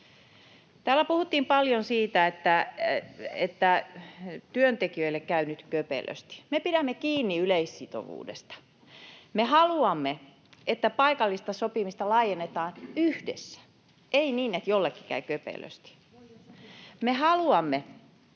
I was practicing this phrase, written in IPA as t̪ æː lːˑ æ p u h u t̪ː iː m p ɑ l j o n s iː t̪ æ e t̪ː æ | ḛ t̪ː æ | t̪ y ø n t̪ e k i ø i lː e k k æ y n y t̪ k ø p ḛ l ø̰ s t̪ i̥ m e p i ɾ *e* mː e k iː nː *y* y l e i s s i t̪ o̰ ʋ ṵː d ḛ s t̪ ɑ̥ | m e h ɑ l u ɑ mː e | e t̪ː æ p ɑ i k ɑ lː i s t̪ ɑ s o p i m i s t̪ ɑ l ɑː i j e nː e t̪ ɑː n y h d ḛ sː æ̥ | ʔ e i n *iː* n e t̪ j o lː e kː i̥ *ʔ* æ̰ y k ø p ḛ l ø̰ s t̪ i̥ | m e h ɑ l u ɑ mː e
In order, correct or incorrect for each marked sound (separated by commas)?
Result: incorrect, incorrect, correct, incorrect